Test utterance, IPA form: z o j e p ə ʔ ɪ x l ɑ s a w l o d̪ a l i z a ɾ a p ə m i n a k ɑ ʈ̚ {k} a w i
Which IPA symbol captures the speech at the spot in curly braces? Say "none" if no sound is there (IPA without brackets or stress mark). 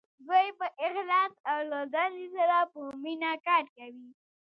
k